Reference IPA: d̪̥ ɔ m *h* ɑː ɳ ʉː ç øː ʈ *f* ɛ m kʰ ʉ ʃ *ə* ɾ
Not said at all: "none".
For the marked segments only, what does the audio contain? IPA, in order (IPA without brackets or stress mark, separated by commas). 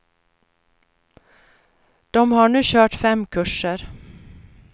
h, f, ə